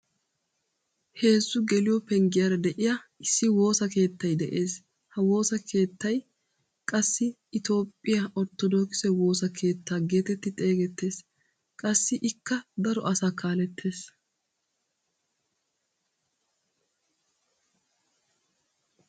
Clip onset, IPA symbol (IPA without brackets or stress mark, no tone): h